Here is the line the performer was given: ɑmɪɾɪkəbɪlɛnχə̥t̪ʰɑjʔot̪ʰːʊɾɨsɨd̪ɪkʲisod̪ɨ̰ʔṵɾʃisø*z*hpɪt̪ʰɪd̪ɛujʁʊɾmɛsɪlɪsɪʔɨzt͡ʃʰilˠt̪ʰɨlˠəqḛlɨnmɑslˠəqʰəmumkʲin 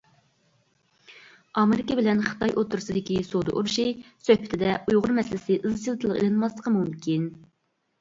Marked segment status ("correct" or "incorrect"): incorrect